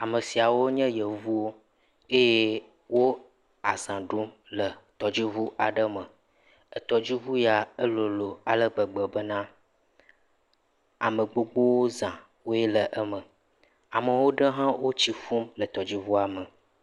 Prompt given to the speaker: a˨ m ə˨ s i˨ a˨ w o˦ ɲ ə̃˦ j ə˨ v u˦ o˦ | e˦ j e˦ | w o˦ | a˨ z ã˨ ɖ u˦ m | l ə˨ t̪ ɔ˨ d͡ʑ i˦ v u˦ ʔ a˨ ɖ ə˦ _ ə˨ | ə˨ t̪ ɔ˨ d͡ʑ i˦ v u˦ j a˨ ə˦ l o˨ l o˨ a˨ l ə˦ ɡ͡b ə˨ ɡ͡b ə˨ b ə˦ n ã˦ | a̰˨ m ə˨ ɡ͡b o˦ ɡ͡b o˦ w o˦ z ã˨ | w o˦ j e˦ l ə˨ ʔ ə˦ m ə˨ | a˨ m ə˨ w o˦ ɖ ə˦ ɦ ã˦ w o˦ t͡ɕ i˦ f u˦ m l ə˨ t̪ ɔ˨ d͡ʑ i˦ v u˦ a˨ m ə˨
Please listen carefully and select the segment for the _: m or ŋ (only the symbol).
m